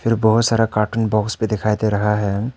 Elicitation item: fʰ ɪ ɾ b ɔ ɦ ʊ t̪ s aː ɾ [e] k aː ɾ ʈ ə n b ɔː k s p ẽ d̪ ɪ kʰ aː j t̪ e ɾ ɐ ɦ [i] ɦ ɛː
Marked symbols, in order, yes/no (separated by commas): no, no